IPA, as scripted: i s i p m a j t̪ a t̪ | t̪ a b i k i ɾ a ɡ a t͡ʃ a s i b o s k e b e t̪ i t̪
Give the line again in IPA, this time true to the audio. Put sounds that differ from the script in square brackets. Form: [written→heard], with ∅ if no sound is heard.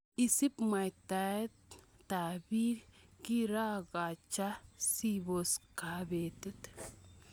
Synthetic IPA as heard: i s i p m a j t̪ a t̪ | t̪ a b i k i ɾ a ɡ a t͡ʃ a s i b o s k [e→a] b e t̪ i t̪